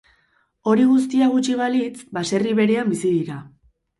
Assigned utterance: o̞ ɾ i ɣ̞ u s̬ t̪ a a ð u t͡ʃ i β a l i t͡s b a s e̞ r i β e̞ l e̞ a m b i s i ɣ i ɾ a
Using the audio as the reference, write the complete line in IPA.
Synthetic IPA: o̞ ɾ i ɣ̞ u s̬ t̪ i a ɣ u t͡ʃ i β a l i t͡s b a s e̞ r i β e̞ ɾ e̞ a m b i s i ð i ɾ a